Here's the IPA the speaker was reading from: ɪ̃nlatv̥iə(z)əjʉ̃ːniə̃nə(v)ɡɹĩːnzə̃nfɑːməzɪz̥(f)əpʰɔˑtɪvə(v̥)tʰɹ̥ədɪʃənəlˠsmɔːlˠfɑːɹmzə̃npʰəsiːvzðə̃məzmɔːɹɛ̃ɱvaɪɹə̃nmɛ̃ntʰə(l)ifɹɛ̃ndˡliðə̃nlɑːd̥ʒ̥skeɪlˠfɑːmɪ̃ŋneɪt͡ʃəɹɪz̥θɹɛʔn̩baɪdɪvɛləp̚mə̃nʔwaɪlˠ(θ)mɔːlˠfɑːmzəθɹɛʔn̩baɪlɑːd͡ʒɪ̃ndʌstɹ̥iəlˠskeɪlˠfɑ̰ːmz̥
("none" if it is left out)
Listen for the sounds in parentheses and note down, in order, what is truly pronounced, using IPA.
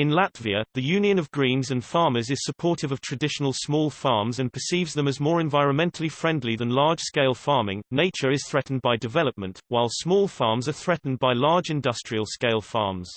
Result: ð, v, s, v̥, l, s

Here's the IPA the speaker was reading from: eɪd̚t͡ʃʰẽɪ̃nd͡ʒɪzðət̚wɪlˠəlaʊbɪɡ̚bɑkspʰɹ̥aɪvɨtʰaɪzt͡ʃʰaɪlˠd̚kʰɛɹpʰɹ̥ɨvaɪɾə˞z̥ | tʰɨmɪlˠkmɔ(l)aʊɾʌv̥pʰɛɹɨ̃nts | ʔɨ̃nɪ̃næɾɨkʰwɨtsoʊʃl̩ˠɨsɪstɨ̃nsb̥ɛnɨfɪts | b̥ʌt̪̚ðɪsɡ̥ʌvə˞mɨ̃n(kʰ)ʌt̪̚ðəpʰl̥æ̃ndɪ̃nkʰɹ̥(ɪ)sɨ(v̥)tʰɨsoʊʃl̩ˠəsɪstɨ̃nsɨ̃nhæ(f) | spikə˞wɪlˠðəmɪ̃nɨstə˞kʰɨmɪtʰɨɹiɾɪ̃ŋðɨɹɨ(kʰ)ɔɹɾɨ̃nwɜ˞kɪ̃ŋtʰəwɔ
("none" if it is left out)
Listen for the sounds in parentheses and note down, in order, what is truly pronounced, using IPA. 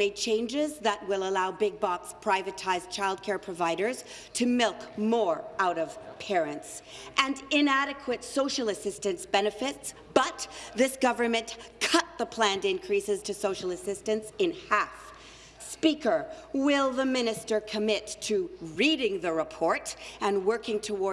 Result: ɹ, kʰ, i, z̥, f, pʰ

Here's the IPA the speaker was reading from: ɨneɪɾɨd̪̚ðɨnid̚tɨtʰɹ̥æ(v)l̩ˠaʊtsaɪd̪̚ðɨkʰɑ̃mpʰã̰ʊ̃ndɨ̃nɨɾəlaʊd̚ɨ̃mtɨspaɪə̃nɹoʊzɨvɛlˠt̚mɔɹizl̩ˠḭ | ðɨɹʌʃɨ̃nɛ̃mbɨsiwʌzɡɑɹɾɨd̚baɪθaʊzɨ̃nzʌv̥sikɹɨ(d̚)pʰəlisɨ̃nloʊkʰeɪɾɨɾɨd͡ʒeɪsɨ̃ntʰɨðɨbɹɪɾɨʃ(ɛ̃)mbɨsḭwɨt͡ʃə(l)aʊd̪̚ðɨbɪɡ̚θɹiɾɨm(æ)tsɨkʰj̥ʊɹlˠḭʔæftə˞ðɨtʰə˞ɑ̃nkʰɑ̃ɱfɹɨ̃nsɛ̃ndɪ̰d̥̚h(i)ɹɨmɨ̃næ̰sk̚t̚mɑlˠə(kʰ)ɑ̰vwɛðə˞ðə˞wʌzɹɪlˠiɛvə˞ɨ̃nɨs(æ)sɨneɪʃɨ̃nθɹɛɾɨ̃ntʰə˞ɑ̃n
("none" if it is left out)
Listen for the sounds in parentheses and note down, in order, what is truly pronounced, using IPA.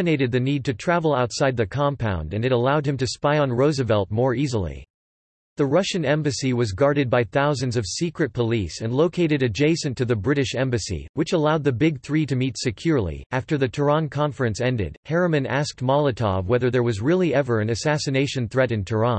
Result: v, t̚, ɛ̃, l, i, ɛ, tʰ, æ

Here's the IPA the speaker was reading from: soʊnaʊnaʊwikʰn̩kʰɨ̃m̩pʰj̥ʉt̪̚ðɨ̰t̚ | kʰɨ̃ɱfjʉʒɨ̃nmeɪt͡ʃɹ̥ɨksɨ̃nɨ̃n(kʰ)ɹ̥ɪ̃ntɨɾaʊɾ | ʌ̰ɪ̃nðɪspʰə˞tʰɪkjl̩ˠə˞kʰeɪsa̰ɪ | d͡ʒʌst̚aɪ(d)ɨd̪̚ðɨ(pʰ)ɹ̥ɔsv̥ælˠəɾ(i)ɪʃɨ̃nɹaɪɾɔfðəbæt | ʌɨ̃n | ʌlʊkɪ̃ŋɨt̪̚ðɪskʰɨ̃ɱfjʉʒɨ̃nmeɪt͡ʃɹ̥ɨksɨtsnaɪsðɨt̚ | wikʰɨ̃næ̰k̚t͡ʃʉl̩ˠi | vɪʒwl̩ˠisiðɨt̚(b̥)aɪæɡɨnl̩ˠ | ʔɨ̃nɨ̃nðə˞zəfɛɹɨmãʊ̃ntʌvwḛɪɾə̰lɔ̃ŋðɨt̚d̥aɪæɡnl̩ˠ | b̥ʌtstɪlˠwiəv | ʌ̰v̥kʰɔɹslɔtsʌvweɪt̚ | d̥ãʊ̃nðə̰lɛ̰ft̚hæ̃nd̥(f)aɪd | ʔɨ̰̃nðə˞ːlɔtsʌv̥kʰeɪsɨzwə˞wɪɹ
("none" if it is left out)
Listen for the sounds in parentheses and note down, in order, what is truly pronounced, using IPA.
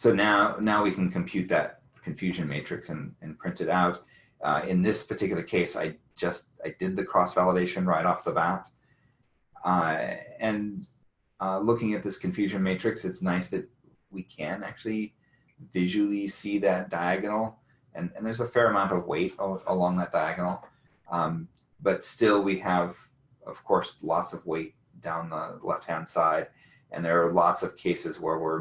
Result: pʰ, d, kʰ, e, d̥, s

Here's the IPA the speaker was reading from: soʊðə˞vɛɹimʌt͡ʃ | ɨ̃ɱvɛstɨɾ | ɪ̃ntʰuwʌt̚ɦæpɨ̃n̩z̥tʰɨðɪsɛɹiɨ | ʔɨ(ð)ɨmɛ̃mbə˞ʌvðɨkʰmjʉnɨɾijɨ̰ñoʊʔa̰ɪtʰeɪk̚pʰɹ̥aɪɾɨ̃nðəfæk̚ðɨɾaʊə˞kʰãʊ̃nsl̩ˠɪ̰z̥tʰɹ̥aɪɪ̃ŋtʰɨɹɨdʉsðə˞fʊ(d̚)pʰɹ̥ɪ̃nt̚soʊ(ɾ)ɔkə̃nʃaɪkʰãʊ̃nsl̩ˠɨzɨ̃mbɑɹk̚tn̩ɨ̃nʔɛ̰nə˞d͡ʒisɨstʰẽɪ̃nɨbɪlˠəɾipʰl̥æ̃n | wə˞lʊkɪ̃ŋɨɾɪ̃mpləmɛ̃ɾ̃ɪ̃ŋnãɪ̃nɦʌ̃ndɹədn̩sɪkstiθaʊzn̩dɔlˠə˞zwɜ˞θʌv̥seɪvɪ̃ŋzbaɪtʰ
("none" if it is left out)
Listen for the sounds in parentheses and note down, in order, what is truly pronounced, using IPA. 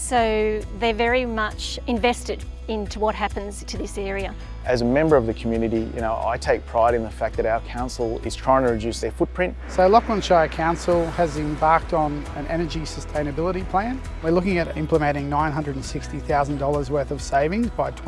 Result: z, t̚, l

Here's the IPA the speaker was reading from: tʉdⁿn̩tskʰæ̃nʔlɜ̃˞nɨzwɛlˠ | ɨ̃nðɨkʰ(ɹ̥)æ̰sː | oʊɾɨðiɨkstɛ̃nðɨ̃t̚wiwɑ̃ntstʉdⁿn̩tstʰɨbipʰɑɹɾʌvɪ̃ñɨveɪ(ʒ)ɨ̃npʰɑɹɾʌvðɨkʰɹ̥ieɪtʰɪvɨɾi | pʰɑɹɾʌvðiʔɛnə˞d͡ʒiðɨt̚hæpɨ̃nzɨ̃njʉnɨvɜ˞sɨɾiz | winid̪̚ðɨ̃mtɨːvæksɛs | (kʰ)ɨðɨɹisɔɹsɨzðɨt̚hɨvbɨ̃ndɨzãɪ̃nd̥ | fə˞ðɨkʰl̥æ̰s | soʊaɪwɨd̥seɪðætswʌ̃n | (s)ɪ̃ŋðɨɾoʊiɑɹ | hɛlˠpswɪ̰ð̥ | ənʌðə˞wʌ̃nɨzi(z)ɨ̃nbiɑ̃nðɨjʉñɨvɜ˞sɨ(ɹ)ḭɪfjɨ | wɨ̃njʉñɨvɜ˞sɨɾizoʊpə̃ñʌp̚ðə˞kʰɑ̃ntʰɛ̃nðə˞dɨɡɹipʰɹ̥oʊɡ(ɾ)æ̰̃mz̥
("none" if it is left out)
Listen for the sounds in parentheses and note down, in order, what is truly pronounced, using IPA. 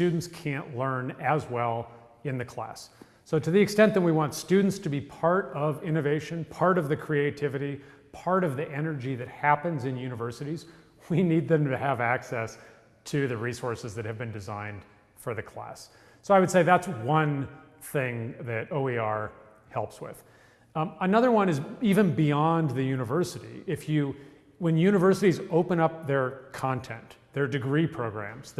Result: l̥, ʃ, tʰ, θ, v, ɾ, ɹ

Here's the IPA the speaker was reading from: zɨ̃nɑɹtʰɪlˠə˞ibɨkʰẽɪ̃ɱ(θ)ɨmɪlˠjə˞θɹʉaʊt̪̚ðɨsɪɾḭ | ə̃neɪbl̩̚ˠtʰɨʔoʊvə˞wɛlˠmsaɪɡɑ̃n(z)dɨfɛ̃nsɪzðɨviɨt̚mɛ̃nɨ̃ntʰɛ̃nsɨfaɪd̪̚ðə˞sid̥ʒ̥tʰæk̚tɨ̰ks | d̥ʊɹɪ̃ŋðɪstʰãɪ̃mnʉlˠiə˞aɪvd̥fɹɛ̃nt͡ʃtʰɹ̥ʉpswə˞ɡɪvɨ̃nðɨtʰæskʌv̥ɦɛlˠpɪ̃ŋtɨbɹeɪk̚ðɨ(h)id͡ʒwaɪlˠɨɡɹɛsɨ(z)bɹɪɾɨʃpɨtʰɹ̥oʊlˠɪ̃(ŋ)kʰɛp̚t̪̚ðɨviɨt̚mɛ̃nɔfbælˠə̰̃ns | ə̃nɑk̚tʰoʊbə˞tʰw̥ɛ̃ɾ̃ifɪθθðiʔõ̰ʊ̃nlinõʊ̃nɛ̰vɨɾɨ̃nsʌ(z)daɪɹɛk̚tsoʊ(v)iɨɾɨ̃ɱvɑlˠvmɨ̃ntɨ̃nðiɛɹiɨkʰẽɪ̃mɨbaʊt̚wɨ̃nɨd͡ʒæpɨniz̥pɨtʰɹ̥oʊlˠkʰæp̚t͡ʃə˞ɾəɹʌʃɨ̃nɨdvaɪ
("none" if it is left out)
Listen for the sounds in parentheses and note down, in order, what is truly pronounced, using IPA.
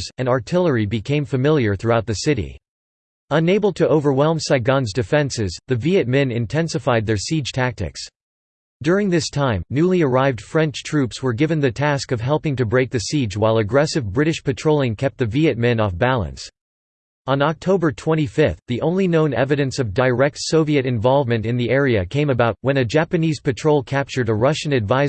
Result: f, z, s, v, ŋ, v, v

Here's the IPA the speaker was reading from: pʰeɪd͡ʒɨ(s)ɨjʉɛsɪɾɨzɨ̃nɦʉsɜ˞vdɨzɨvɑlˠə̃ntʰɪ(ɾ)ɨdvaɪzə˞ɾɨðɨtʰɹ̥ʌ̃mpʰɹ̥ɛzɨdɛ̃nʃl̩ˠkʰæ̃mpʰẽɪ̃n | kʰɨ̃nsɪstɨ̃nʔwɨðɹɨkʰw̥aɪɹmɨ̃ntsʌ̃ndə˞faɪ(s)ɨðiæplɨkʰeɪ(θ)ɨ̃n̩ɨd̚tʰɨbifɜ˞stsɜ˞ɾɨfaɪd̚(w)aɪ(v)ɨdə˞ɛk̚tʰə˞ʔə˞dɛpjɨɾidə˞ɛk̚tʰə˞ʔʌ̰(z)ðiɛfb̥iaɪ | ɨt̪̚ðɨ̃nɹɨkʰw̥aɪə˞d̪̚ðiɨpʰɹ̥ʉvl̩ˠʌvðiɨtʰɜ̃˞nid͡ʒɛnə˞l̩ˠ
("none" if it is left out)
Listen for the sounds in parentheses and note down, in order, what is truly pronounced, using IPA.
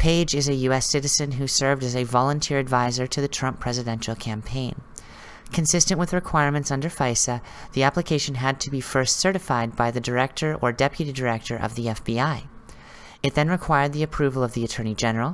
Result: z, ɹ, s, ʃ, b, ð, v

